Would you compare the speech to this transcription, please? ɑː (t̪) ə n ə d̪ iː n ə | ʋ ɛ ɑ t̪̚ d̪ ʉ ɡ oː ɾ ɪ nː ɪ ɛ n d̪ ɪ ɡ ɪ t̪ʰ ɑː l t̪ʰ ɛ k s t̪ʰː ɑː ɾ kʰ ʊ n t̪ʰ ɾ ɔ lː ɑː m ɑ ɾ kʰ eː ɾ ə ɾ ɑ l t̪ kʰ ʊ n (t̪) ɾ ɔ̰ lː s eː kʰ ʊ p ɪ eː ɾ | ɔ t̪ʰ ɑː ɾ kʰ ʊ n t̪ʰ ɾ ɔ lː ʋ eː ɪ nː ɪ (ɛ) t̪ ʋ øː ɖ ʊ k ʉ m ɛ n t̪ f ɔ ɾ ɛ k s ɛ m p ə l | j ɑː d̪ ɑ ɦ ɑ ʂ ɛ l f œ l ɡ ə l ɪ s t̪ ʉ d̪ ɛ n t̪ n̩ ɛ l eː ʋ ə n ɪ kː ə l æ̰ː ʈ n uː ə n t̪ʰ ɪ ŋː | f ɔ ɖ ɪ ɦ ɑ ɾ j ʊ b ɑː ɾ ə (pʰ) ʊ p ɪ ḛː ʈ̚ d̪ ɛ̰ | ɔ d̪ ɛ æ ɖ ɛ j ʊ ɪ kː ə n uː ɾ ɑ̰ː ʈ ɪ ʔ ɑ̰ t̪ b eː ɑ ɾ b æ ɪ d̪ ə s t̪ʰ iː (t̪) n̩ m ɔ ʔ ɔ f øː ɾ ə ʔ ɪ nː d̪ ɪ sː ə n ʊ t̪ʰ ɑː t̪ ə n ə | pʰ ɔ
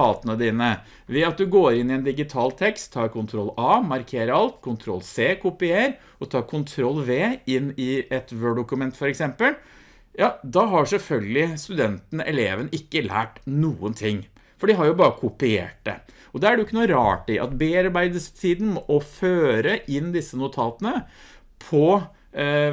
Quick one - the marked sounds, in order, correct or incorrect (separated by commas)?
correct, incorrect, correct, incorrect, incorrect